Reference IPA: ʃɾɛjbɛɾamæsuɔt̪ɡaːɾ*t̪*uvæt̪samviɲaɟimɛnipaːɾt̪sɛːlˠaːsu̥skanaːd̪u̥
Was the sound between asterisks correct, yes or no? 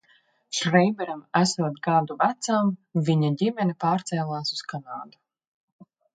no